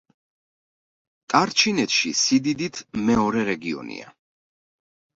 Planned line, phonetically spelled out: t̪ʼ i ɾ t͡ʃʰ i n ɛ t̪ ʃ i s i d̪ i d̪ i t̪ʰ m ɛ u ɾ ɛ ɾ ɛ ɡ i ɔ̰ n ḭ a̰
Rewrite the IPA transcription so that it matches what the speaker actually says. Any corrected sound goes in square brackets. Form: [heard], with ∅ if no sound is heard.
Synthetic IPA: t̪ʼ [a] ɾ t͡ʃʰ i n ɛ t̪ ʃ i s i d̪ i d̪ i t̪ʰ m ɛ [ɔ] ɾ ɛ ɾ ɛ ɡ i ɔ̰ n ḭ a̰